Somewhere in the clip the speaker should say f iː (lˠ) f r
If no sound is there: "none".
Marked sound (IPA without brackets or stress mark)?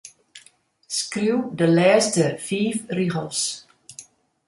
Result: none